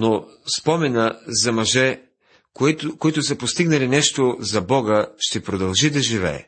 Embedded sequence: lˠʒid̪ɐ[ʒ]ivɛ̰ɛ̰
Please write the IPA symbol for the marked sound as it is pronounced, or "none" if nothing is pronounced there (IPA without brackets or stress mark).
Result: ʒ